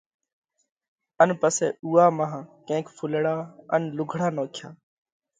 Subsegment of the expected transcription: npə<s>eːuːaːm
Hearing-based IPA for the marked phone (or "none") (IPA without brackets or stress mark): s